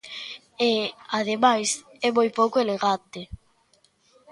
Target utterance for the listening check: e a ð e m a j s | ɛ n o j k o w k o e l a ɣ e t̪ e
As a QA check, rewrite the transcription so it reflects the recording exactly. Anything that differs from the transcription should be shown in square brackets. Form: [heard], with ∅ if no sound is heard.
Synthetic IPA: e a ð e m a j s | ɛ [m] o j [p] o w k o e l [e] ɣ [a] t̪ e